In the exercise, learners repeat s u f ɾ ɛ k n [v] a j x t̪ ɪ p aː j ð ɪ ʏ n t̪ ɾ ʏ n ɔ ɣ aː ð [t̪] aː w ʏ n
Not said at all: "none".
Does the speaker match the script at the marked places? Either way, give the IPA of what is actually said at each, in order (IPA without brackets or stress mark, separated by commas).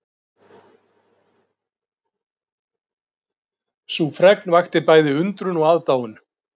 v, t̪